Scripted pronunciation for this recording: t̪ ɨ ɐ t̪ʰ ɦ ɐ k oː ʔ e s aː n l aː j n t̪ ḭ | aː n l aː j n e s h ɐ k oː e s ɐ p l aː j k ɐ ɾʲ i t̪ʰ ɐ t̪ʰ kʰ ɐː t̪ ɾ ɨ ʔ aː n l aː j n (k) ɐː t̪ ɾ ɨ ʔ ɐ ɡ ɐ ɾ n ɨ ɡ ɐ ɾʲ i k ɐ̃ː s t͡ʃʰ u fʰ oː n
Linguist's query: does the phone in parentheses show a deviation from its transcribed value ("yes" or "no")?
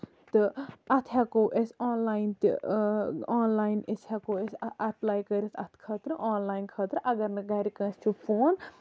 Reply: yes